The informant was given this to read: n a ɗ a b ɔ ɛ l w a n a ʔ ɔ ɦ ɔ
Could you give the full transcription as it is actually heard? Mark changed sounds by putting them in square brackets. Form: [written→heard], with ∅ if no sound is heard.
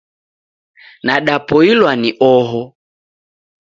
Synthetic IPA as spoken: n a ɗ a [b→p] ɔ [ɛ→i] l w a n [a→i] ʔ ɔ ɦ ɔ